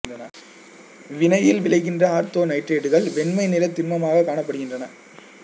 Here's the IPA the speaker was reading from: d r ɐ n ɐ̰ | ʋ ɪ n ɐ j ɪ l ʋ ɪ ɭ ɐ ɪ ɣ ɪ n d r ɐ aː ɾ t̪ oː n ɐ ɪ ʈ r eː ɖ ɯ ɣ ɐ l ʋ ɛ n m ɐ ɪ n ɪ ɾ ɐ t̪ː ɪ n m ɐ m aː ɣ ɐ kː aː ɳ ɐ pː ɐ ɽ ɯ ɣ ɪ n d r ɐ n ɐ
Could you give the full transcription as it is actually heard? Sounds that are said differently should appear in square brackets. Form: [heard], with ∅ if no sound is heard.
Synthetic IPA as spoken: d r ɐ n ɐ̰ | ʋ ɪ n ɐ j ɪ l ʋ ɪ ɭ ɐ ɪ ɣ ɪ n d r ɐ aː ɾ t̪ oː n ɐ ɪ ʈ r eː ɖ ɯ ɣ ɐ [ɭ] ʋ ɛ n m ɐ ɪ n ɪ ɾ ɐ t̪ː ɪ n m ɐ m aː ɣ ɐ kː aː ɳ ɐ pː ɐ ɽ ɯ ɣ ɪ n d r ɐ n ɐ